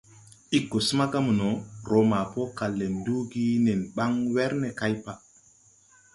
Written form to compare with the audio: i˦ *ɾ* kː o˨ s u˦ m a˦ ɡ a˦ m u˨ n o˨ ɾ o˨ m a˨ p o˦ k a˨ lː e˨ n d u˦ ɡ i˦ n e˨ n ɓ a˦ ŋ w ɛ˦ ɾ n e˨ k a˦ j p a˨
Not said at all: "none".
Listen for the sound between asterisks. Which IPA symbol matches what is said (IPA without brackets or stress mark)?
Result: none